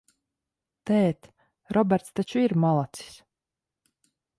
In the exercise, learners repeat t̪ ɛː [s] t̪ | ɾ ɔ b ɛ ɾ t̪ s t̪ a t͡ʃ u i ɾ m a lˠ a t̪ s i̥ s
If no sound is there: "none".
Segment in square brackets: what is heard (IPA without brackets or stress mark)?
none